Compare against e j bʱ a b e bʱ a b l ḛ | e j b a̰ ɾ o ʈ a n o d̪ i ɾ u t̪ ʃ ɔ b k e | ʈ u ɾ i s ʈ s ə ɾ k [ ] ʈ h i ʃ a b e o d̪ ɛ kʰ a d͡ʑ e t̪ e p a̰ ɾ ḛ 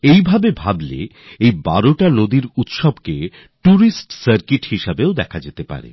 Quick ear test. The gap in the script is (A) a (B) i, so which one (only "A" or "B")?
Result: B